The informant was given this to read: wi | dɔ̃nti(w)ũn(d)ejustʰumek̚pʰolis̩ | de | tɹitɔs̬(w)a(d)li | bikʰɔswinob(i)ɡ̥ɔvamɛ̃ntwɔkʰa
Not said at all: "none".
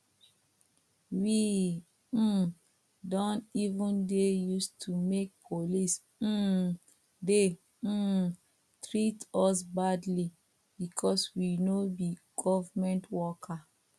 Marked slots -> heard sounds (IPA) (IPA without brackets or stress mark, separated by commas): v, d, b, d, i